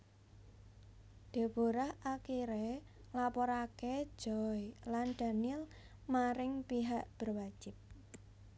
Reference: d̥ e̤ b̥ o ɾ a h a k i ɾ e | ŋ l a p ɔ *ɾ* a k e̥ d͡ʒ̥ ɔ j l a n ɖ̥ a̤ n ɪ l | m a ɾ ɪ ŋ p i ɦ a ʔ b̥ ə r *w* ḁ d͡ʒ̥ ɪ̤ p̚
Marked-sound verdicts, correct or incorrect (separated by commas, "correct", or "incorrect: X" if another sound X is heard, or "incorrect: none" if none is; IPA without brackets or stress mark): correct, correct